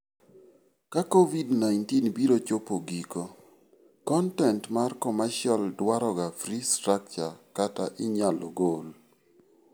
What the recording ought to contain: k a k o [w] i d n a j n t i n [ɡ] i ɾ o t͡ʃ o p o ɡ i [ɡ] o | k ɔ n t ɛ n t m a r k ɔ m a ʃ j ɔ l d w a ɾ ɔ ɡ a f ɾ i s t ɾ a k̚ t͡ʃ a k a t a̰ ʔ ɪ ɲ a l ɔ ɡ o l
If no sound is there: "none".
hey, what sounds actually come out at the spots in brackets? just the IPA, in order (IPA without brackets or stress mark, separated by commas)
v, b, k